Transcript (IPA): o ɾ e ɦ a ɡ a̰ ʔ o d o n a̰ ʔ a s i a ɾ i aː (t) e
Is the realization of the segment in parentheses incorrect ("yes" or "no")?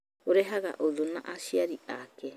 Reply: yes